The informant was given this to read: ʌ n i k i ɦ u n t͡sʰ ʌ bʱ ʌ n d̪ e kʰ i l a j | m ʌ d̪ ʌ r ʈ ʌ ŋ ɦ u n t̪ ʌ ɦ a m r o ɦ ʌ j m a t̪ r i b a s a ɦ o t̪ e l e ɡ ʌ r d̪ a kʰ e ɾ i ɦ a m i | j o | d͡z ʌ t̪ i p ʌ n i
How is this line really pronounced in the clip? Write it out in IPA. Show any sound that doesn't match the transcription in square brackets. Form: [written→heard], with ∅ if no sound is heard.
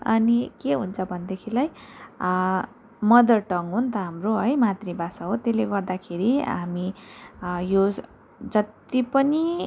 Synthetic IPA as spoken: ʌ n i k [i→e] ɦ u n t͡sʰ ʌ bʱ ʌ n d̪ e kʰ i l a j | m ʌ d̪ ʌ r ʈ ʌ ŋ ɦ u n t̪ ʌ ɦ a m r o ɦ ʌ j m a t̪ r i b a s a ɦ o t̪ e l e ɡ ʌ r d̪ a kʰ e ɾ i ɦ a m i | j o | d͡z ʌ t̪ i p ʌ n i